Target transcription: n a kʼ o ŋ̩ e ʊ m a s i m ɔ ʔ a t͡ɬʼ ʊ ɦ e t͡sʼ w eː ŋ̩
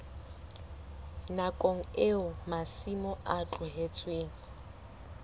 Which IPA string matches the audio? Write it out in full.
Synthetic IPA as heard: n a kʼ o ŋ̩ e ʊ m a s i m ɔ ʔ a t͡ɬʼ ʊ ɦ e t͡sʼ w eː ŋ̩